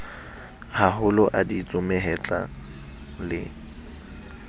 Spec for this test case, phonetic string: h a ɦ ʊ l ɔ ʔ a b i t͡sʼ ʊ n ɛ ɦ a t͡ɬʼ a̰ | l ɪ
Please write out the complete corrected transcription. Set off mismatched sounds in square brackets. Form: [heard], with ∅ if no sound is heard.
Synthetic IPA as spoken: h a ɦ ʊ l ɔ ʔ a [d] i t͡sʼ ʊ [m] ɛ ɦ [ɛ] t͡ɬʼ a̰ | l ɪ

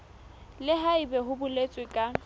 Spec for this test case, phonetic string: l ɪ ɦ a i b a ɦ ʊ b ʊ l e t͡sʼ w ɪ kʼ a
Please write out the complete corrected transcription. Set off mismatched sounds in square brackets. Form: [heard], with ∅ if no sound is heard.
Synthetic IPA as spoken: l ɪ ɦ a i b [ɛ] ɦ ʊ b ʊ l e t͡sʼ w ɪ kʼ a

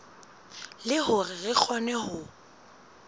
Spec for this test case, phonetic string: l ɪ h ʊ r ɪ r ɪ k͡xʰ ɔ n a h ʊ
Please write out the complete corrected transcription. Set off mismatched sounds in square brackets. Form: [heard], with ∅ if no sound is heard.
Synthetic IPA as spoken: l ɪ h ʊ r ɪ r ɪ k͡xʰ ɔ n [ɛ] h ʊ

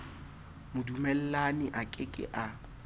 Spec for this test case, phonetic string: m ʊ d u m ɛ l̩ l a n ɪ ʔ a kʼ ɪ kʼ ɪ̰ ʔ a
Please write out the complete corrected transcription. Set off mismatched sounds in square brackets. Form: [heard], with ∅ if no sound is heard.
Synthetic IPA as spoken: m ʊ d u m ɛ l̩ l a n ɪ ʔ a kʼ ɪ kʼ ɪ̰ ʔ a

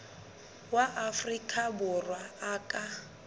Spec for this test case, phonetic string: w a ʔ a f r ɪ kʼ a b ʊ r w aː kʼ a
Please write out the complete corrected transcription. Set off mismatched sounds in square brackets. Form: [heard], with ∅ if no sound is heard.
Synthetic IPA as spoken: w a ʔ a f r [i] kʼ a b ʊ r w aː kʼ a

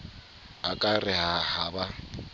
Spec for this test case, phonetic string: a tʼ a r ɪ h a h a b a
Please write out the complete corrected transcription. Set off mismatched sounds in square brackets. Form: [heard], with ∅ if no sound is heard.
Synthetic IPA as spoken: a [kʼ] a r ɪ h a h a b a

